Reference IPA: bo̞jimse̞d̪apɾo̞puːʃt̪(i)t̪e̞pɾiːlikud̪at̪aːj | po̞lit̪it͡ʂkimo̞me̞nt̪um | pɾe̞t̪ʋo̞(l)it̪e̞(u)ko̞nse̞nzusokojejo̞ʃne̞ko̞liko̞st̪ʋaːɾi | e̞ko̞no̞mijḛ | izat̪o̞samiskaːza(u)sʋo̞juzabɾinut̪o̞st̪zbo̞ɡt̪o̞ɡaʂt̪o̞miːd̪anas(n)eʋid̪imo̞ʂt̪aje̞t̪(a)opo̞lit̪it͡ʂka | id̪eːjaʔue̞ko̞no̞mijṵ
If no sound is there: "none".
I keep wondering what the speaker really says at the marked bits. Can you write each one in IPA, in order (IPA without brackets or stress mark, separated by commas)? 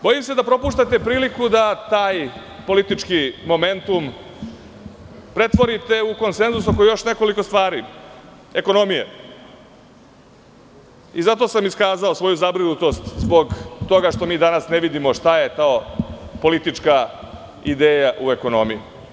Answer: a, ɾ, u, o, n, a